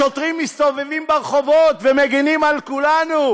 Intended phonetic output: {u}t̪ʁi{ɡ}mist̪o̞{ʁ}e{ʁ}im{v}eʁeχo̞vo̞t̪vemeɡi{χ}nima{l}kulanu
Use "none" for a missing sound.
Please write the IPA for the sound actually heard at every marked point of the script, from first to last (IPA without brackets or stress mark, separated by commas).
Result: o, none, v, v, b, none, l